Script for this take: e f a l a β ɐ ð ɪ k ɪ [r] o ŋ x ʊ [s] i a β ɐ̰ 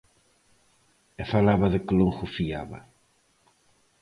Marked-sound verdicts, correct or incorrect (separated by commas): incorrect, incorrect